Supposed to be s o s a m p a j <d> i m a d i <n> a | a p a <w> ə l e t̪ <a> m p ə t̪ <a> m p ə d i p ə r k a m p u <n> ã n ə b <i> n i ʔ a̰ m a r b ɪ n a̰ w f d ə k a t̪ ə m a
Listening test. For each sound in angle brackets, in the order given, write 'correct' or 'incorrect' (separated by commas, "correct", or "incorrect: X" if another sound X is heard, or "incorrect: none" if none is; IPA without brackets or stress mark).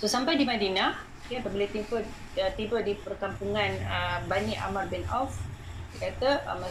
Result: correct, correct, incorrect: b, incorrect: i, incorrect: i, incorrect: ŋ, incorrect: a